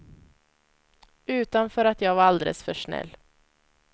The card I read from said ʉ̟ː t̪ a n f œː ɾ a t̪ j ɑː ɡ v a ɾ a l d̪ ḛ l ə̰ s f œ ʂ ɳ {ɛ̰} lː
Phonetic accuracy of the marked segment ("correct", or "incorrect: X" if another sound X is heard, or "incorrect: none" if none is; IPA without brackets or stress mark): correct